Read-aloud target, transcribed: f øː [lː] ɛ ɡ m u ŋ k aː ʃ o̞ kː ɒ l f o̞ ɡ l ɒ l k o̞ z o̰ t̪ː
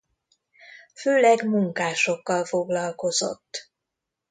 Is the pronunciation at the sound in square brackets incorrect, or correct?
incorrect